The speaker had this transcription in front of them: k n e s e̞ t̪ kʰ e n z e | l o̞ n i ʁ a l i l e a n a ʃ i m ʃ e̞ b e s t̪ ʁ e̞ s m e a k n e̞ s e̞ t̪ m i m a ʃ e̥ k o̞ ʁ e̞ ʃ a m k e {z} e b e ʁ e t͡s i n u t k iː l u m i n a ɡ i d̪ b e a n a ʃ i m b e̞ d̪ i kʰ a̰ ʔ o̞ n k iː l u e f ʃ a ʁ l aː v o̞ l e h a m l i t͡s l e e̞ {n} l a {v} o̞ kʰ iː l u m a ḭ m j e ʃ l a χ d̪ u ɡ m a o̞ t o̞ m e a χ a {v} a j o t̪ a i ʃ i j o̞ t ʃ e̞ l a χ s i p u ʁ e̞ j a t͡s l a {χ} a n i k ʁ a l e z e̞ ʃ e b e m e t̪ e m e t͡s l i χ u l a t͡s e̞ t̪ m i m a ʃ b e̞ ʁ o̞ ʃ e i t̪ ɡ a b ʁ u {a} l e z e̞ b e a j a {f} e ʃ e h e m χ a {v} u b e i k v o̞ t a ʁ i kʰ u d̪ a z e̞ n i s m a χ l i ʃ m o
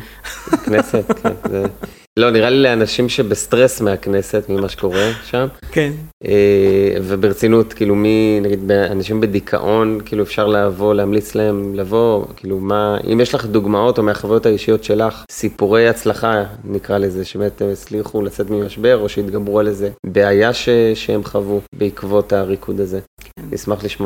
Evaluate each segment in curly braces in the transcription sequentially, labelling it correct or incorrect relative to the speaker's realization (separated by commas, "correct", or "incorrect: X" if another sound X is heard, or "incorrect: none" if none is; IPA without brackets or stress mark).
incorrect: v, incorrect: m, correct, correct, correct, correct, incorrect: ʃ, correct